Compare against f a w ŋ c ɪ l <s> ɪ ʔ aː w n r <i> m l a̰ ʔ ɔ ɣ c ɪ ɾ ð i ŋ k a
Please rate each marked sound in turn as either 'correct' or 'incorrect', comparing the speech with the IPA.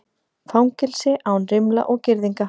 correct, incorrect: ɪ

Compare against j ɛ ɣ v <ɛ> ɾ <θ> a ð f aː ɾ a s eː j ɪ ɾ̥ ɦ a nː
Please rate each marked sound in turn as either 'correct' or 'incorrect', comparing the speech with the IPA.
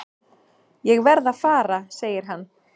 correct, incorrect: ð

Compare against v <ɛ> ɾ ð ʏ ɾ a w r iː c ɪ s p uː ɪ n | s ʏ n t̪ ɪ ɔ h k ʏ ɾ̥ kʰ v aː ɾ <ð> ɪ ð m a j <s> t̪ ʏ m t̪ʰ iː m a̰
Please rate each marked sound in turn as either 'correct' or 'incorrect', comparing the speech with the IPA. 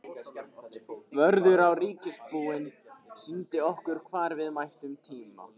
incorrect: œ, incorrect: v, incorrect: h

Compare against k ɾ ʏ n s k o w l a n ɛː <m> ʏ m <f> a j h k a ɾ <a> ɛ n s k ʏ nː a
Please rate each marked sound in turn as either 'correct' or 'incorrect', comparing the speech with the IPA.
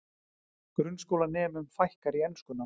correct, correct, incorrect: i

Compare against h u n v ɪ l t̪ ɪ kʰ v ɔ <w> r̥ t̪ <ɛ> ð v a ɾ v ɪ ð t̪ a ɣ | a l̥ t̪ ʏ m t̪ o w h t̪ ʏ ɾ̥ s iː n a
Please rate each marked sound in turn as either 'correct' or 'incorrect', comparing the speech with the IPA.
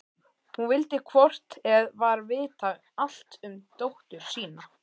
incorrect: none, correct

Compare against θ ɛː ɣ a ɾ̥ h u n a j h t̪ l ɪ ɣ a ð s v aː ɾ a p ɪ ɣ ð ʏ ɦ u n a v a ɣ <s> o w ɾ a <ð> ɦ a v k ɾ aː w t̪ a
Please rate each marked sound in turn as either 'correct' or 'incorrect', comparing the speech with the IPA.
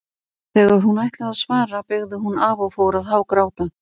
incorrect: f, correct

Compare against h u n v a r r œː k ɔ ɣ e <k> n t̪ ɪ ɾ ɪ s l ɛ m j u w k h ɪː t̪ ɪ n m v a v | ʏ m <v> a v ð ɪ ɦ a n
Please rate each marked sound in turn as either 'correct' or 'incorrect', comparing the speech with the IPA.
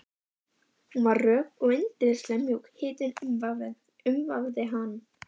incorrect: none, correct

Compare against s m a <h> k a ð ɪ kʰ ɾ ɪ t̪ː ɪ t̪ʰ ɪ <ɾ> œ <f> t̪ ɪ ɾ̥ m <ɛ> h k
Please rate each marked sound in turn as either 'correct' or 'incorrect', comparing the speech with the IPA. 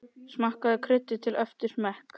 correct, incorrect: l, correct, correct

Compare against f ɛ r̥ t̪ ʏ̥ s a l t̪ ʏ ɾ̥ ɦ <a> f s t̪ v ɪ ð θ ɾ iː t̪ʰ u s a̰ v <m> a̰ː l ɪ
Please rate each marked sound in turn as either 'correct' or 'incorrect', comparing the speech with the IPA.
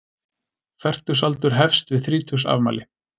incorrect: ɛ, correct

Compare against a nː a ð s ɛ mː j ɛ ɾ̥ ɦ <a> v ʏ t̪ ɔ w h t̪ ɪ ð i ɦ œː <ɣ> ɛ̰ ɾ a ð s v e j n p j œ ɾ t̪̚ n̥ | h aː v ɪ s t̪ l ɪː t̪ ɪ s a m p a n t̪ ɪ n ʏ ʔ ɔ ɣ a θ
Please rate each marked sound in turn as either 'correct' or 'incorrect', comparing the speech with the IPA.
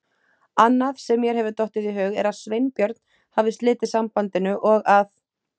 incorrect: ɛ, correct

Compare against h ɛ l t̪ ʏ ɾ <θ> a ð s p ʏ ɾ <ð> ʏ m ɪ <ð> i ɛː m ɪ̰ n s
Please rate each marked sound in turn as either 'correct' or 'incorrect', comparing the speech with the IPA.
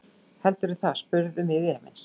correct, correct, correct

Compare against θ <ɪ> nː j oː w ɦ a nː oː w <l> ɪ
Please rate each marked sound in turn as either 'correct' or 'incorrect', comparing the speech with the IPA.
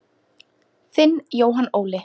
correct, correct

